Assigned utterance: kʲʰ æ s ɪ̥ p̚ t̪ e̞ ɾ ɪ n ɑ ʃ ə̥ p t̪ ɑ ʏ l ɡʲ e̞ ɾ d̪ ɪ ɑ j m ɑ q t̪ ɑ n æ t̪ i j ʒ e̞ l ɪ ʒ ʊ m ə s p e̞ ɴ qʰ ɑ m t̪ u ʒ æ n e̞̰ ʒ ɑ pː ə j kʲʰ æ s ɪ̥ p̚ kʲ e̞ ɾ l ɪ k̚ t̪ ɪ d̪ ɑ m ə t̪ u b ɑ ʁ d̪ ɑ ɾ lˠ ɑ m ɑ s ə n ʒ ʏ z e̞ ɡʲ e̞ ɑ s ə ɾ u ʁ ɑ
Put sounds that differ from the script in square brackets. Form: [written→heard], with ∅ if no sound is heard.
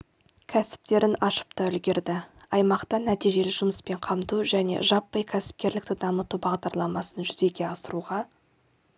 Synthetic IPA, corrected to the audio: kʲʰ æ s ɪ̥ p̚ t̪ e̞ ɾ ɪ n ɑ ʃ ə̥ p t̪ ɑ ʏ l ɡʲ e̞ ɾ d̪ ɪ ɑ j m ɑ q t̪ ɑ n æ t̪ i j ʒ e̞ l ɪ ʒ ʊ m ə s p e̞ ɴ qʰ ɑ m t̪ u ʒ æ n e̞̰ ʒ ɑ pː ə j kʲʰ æ s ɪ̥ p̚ kʲ e̞ ɾ l ɪ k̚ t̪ ɪ d̪ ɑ m ə t̪ u b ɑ ʁ d̪ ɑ ɾ lˠ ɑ m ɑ s ə n ʒ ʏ z e̞ ɡʲ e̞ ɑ s ə ɾ u ʁ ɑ